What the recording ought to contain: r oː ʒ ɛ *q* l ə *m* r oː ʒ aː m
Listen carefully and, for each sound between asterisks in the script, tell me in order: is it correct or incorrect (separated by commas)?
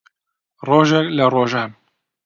incorrect, incorrect